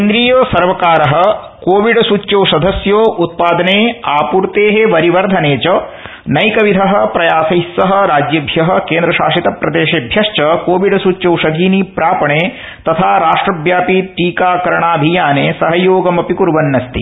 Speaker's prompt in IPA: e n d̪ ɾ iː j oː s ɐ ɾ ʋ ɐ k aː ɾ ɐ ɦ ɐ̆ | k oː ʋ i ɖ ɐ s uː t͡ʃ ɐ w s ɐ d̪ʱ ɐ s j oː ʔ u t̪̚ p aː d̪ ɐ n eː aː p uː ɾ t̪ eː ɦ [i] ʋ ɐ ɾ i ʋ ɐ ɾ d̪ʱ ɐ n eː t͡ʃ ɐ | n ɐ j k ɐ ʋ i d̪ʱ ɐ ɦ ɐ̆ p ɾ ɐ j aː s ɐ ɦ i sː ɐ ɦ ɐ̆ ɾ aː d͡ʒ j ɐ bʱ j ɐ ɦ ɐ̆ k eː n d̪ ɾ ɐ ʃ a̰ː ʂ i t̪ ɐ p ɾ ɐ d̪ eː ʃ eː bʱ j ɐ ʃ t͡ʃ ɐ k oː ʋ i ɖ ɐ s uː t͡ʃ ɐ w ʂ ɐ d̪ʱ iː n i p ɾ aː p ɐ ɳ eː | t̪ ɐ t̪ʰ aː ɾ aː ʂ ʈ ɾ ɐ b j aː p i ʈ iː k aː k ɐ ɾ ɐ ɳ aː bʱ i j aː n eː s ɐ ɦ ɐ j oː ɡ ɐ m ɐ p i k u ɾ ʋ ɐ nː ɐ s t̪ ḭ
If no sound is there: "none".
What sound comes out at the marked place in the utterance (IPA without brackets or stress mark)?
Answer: e